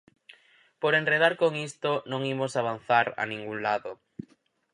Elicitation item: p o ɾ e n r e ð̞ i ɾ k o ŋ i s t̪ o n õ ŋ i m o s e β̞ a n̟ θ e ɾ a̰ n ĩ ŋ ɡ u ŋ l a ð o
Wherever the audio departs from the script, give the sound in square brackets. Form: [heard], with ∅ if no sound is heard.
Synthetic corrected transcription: p o ɾ e n r e ð̞ [a] ɾ k o ŋ i s t̪ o n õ ŋ i m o s [a] β̞ a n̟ θ [a] ɾ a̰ n ĩ ŋ ɡ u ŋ l a ð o